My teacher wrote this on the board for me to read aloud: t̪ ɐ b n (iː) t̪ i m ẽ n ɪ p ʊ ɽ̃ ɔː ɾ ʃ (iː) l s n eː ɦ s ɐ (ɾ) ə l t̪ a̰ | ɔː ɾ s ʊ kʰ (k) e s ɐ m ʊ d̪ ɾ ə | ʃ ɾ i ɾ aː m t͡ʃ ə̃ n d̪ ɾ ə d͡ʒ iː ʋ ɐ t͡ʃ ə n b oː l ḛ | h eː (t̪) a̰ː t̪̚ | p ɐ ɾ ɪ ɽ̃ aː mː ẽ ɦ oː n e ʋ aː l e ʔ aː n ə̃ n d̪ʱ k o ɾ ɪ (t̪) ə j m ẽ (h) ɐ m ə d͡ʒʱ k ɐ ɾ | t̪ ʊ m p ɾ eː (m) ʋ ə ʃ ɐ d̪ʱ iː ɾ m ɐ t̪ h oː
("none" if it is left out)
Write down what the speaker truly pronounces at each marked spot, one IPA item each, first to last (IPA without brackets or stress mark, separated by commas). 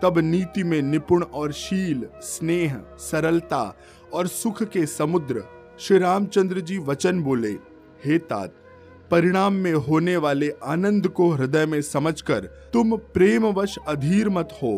iː, iː, ɾ, k, t̪, d̪, s, m